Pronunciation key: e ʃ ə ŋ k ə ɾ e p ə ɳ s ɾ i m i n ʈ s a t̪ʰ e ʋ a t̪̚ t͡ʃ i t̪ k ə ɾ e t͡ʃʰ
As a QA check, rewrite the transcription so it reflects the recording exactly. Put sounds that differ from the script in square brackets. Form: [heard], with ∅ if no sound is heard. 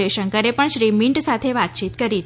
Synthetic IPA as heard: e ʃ ə ŋ k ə ɾ e p ə ɳ [ʃ] ɾ i m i [ɳ] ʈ s a t̪ʰ e ʋ a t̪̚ t͡ʃ i t̪ k ə ɾ [i] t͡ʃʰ